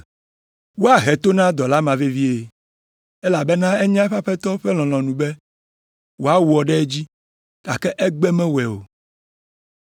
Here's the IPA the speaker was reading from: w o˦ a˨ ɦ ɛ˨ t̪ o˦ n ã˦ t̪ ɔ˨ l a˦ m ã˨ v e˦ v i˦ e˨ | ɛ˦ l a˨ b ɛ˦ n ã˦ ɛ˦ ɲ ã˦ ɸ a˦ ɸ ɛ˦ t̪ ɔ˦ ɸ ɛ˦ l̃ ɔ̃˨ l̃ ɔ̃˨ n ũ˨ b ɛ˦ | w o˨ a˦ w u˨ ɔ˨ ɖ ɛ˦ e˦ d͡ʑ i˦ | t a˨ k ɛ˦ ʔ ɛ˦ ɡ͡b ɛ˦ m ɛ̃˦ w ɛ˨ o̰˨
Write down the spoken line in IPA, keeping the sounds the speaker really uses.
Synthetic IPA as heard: w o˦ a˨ ɦ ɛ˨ t̪ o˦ n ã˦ d̪ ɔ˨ l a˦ m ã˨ v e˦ v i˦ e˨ | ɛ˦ l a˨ b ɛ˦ n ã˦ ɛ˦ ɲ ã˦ ɸ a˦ ɸ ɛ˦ t̪ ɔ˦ ɸ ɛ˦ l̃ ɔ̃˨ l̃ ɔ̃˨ n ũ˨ b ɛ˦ | w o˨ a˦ w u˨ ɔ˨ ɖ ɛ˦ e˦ d͡ʑ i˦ | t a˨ k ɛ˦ ʔ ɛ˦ ɡ͡b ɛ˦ m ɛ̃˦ w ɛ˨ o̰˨